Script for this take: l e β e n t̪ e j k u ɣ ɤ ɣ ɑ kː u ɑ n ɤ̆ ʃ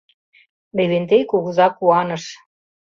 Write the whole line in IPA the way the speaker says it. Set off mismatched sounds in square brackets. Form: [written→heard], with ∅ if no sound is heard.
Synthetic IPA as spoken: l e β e n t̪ e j k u ɣ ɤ [ɣ→z] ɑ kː u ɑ n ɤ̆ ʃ